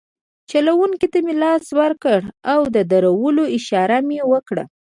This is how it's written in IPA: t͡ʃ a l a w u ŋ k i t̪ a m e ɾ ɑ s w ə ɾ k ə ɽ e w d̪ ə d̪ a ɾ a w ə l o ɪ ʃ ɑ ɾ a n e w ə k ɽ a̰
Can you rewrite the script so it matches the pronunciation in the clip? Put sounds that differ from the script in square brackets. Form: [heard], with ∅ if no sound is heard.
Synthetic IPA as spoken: t͡ʃ a l a w u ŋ k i t̪ a m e [l] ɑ s w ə ɾ k ə ɽ [a] w d̪ ə d̪ a ɾ a w ə l o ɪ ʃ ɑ ɾ a [m] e w ə k ɽ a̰